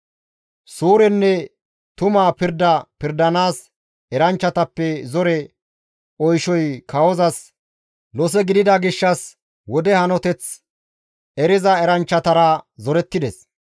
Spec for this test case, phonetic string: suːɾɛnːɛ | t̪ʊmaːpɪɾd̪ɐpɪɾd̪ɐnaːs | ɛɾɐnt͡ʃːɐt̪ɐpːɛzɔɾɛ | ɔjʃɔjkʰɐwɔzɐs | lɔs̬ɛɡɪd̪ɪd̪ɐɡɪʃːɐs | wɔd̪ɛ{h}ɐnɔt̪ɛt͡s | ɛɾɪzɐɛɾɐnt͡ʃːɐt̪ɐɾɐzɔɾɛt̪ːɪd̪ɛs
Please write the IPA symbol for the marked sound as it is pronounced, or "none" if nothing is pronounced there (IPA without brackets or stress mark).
h